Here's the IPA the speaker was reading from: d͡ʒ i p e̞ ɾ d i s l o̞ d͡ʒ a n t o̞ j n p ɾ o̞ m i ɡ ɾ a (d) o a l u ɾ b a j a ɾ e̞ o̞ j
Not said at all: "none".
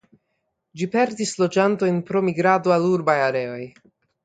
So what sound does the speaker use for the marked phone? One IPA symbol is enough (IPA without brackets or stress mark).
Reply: d